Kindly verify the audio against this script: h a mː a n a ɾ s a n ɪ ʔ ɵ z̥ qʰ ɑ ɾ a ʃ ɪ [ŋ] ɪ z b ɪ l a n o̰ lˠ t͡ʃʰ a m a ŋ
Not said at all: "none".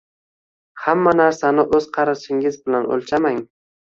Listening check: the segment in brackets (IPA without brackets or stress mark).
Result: ŋ